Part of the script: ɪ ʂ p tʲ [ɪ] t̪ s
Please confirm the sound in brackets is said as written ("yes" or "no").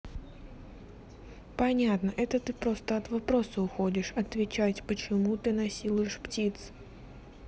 no